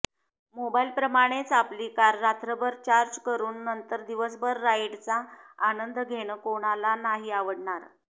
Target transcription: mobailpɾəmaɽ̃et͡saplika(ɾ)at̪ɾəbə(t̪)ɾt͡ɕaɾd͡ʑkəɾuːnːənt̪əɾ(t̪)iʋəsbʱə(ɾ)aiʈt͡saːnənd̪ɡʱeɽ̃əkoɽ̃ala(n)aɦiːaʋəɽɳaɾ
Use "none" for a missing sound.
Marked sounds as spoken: ɾː, none, d̪, ɾː, n

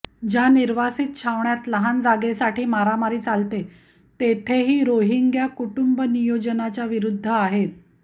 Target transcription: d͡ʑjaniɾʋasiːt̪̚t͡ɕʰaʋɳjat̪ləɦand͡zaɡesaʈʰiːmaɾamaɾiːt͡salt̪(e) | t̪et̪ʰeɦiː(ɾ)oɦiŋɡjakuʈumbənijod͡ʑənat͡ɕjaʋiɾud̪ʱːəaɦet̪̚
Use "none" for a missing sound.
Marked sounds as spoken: e, ɾ

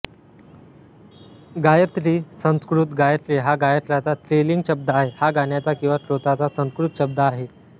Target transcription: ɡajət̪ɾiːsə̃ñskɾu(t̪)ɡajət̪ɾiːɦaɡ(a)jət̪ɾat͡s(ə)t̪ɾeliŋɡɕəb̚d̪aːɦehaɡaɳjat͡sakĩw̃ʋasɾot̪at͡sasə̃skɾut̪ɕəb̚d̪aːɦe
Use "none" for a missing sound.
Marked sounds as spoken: t̪, a, a

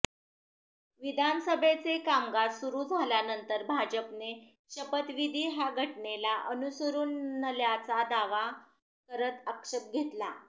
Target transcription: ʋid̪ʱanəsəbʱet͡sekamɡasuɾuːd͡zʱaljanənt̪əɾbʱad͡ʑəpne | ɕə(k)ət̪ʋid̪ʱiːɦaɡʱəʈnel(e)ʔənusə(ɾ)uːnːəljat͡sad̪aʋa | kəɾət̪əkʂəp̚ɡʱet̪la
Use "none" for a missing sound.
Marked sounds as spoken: p, a, ɾ

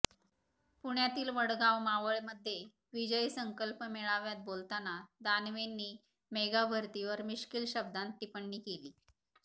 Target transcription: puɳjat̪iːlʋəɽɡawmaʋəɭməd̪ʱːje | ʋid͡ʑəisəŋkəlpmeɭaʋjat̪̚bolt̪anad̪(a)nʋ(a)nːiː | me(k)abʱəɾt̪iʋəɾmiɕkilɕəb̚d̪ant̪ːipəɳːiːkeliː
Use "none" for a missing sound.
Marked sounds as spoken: a, e, ɡ

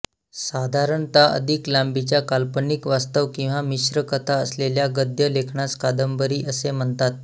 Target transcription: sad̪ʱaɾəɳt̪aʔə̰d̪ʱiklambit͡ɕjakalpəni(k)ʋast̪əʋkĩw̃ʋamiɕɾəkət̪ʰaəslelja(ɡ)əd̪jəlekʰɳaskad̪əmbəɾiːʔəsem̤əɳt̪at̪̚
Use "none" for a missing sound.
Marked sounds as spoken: k, ɡ

